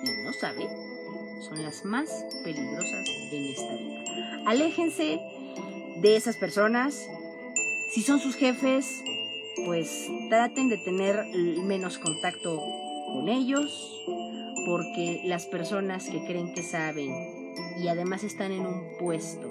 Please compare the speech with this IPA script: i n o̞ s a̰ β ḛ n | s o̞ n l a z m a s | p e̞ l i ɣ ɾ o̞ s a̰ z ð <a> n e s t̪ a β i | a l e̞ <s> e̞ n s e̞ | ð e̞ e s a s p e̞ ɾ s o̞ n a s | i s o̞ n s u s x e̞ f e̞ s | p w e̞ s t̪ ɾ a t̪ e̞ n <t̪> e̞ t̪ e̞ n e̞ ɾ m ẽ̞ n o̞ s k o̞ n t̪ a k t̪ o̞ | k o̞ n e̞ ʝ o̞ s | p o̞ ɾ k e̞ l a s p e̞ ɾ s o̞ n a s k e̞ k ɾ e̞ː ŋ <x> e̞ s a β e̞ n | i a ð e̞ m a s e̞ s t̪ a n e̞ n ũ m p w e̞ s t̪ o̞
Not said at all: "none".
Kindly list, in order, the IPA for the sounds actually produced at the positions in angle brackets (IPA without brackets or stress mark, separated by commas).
e, x, d̪, k